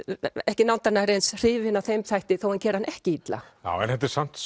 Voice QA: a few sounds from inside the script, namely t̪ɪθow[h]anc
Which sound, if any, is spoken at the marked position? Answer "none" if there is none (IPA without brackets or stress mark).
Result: h